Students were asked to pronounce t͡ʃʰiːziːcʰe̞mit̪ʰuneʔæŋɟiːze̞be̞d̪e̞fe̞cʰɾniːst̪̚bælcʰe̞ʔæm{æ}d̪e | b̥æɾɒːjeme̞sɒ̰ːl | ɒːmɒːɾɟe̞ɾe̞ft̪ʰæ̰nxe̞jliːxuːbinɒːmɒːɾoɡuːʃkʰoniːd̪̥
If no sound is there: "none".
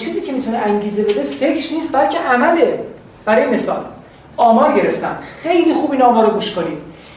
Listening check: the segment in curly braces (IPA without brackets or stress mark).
æ